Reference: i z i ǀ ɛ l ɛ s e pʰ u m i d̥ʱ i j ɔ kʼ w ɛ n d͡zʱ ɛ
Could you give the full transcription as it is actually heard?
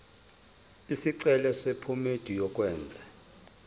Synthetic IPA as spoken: i s i ǀ ɛ l ɛ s e pʰ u m e d̥ʱ i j ɔ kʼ w ɛː n d͡zʱ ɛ